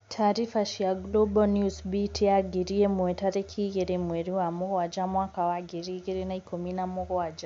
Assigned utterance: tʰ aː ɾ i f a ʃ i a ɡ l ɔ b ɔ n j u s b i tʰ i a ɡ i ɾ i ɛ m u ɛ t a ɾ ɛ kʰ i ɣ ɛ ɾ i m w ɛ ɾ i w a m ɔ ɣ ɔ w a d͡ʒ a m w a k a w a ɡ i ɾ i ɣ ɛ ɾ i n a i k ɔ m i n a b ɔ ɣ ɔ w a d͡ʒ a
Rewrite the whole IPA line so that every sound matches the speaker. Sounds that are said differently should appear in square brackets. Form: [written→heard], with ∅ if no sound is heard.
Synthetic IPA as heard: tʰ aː ɾ i f a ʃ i a ɡ l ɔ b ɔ n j u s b i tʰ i a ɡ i ɾ i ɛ m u ɛ t a ɾ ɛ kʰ i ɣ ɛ ɾ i m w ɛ ɾ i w a m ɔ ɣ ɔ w a d͡ʒ a m w a k a w a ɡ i ɾ i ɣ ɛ ɾ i n a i k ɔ m i n a [b→m] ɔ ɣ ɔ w a d͡ʒ a